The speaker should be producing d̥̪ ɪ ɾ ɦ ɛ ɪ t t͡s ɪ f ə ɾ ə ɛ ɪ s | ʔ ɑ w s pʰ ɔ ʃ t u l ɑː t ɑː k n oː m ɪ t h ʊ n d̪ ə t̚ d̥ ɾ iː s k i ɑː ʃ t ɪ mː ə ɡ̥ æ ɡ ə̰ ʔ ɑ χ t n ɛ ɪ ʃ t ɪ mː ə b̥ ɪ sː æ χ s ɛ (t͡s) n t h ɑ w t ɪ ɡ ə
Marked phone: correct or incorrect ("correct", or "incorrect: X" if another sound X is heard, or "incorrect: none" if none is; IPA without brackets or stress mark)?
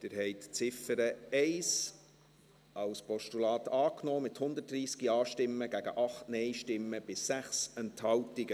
incorrect: none